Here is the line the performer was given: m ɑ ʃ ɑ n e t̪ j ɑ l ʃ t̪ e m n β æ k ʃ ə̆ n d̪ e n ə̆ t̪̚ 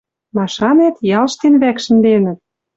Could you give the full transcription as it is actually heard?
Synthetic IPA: m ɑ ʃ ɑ n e t̪ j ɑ l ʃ t̪ e n β æ k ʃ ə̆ n d̪ e n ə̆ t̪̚